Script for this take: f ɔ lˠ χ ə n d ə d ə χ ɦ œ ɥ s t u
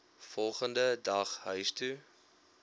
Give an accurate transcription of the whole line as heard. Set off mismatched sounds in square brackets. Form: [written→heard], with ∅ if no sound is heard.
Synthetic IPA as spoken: f ɔ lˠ χ ə n d ə d [ə→ɐ] χ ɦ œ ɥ s t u